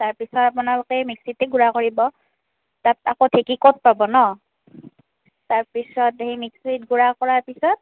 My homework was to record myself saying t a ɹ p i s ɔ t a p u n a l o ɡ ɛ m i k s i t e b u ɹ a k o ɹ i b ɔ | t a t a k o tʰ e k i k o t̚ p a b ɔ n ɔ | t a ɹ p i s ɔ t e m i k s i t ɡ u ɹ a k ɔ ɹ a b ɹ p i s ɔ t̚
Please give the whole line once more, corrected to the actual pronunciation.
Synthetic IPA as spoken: t a ɹ p i s ɔ t a p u n a l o k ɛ m i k s i t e ɡ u ɹ a k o ɹ i b ɔ | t a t a k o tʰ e k i k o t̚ p a b ɔ n ɔ | t a ɹ p i s ɔ t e m i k s i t ɡ u ɹ a k ɔ ɹ a ɹ p i s ɔ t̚